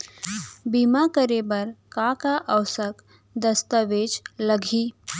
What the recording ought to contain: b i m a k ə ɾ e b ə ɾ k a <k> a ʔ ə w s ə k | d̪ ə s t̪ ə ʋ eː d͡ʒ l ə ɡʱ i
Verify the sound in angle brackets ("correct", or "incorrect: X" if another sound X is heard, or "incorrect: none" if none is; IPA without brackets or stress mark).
correct